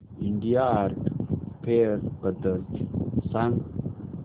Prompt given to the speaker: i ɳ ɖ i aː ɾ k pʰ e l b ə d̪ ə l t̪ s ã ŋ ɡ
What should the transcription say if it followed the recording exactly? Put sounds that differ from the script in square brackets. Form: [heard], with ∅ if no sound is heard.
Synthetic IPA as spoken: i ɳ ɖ i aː ɾ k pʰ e [ɾ] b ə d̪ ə [ɾ] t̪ s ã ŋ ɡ